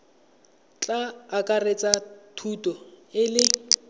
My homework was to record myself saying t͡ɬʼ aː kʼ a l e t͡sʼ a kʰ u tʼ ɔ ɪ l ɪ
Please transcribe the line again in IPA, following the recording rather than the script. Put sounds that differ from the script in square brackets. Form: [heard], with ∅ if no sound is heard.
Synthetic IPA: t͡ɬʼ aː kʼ a [r] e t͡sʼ a [tʰ] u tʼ ɔ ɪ l ɪ